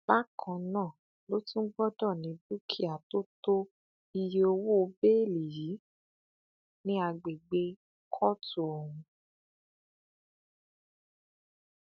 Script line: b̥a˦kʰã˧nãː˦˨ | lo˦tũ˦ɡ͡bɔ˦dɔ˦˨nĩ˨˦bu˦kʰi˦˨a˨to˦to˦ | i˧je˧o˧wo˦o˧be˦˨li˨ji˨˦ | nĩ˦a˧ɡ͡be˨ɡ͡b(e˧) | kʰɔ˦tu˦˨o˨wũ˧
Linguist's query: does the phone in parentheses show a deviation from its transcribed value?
no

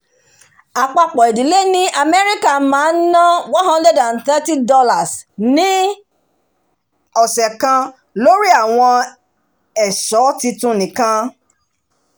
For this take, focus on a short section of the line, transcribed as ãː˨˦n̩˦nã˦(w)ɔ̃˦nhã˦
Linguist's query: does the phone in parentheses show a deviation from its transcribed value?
no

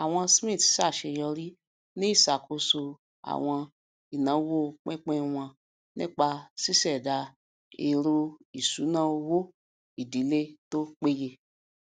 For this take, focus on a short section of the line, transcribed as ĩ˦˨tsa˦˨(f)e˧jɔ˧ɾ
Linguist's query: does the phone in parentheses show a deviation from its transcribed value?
yes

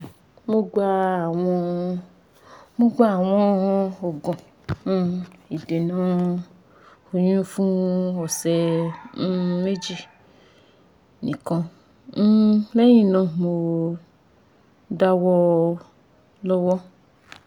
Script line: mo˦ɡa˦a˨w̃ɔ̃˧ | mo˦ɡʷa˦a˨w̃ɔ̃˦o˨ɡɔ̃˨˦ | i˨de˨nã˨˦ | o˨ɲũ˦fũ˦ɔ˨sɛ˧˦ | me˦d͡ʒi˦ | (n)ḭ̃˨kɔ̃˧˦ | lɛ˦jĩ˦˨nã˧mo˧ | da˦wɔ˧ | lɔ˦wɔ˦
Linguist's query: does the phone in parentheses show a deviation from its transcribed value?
no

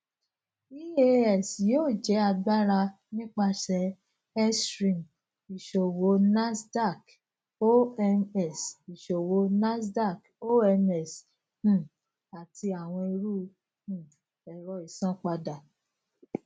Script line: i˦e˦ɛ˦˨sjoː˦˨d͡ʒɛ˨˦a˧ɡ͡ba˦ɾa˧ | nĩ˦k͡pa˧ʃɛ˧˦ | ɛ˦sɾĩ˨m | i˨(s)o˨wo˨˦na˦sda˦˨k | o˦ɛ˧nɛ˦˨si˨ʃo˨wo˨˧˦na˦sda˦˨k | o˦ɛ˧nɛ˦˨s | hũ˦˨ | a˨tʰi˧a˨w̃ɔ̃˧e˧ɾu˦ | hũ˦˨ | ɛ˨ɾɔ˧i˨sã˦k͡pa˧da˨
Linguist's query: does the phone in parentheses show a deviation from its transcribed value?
yes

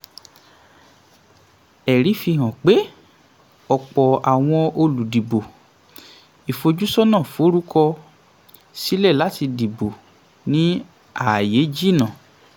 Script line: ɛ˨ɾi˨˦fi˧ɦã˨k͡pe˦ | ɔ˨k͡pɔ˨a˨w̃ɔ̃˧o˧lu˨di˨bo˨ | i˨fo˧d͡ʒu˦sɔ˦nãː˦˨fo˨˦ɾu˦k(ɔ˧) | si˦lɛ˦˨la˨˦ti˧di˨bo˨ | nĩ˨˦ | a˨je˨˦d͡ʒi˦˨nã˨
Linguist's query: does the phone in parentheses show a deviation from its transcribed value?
no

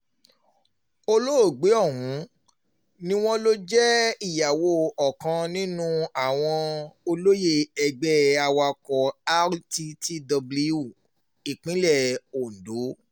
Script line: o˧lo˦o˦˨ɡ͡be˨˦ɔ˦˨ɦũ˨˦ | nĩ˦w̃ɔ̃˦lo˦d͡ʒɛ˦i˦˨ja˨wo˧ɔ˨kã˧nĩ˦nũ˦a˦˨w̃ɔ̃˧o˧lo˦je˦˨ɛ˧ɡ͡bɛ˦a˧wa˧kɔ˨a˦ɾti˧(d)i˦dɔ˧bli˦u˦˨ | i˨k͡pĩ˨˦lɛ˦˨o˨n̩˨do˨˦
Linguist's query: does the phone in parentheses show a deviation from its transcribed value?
yes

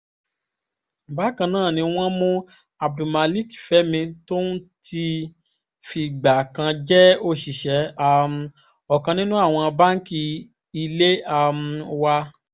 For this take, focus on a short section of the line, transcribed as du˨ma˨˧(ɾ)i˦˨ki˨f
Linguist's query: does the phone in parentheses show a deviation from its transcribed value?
yes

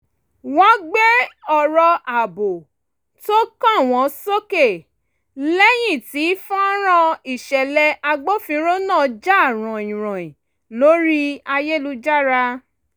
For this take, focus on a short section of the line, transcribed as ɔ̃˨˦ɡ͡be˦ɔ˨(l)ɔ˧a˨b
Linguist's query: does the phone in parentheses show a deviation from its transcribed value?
yes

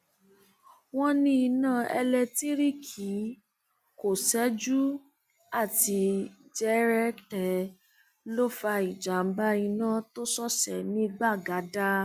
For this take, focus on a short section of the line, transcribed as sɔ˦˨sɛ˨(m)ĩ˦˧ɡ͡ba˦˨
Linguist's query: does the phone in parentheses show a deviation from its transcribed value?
yes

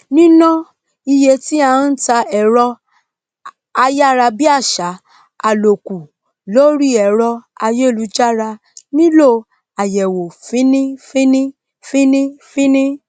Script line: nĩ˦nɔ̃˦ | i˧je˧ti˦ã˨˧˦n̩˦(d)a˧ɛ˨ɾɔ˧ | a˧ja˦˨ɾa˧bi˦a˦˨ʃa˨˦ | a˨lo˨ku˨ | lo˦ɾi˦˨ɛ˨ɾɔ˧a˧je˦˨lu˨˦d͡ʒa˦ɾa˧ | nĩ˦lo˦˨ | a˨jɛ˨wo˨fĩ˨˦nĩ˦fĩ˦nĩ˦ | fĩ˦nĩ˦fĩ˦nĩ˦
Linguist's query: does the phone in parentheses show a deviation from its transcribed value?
yes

